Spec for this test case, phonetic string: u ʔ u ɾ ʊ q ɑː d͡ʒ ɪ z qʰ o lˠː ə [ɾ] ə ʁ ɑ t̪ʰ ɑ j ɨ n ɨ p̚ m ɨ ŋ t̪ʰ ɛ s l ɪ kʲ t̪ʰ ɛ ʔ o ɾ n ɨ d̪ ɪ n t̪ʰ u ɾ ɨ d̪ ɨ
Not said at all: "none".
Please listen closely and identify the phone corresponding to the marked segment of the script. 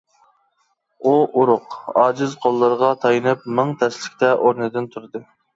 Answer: ɾ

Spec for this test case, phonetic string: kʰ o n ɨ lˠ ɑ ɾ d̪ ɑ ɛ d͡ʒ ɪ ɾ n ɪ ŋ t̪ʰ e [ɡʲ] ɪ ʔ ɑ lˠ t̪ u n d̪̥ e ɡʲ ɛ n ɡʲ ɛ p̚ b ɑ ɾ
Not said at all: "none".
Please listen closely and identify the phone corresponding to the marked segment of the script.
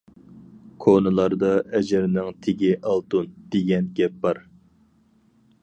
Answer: ɡʲ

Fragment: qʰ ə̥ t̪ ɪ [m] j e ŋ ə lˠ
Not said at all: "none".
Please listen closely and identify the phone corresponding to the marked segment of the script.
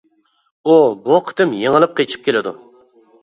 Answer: m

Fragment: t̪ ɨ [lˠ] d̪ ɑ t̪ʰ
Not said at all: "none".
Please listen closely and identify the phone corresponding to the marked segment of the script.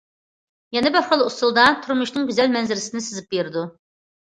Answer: lˠ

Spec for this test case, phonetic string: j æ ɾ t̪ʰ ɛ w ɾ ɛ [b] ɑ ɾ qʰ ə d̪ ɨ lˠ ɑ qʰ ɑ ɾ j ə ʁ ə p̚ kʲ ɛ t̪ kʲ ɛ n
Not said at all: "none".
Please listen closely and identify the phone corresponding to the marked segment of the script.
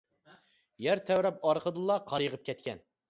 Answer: p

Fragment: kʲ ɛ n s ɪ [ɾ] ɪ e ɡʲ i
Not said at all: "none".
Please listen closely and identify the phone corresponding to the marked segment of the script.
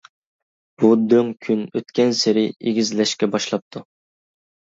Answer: ɾ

